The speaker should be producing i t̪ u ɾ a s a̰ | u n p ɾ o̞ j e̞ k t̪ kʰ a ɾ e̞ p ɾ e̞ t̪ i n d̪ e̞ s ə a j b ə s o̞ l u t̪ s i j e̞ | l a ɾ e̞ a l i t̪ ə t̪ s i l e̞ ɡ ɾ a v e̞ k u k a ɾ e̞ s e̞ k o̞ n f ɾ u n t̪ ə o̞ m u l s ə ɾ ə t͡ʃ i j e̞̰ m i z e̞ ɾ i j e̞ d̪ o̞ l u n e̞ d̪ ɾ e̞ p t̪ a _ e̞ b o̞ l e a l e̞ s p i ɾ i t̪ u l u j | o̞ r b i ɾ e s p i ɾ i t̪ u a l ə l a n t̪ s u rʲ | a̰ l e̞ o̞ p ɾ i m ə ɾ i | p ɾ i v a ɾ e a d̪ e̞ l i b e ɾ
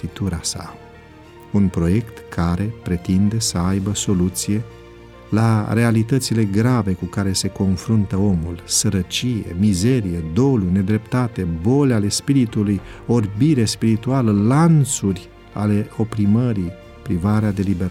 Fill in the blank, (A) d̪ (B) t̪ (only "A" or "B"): B